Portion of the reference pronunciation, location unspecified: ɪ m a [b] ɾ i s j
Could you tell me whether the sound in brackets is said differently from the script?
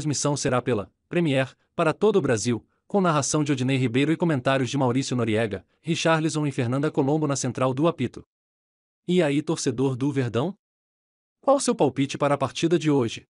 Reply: yes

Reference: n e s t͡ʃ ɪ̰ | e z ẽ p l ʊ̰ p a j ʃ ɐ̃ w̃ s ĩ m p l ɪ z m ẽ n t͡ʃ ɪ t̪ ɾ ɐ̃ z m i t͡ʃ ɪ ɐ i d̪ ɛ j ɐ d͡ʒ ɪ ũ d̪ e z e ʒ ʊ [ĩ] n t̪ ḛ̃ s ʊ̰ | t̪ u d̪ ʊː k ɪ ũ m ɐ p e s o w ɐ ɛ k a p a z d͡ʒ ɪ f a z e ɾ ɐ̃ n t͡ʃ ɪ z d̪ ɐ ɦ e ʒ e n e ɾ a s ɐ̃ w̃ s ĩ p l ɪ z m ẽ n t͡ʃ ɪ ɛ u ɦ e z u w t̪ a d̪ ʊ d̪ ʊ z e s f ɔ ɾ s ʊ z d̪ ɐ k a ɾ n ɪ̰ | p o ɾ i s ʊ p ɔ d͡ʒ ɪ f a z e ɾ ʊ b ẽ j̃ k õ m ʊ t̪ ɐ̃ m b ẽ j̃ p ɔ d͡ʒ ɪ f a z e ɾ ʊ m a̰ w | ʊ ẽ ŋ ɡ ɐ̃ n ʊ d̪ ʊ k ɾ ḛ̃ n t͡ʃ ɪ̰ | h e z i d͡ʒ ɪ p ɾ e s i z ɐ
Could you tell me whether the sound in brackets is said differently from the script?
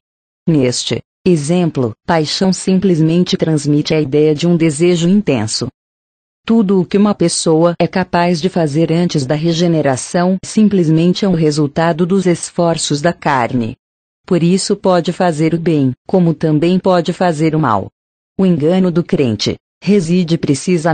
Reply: no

